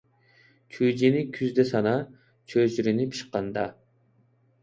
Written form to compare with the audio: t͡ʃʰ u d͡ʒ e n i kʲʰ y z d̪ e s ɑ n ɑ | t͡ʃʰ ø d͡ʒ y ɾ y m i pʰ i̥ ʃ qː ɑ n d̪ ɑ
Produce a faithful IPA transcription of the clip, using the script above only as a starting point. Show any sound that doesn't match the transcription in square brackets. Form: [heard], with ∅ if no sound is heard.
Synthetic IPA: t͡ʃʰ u d͡ʒ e n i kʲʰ y z d̪ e s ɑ n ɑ | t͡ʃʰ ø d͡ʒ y ɾ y [n] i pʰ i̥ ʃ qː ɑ n d̪ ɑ